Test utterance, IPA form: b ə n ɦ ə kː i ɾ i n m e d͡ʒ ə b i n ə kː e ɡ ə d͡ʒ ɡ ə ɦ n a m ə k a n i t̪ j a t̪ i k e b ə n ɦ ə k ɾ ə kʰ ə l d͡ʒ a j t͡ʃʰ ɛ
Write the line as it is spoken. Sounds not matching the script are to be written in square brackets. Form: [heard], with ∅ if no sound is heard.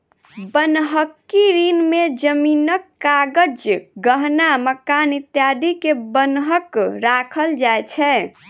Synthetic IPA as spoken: b ə n ɦ ə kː i ɾ i n m e d͡ʒ ə [m] i n ə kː [a] ɡ ə d͡ʒ ɡ ə ɦ n a m ə k a n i t̪ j a [d̪] i k e b ə n ɦ ə k ɾ [a] kʰ ə l d͡ʒ a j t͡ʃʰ ɛ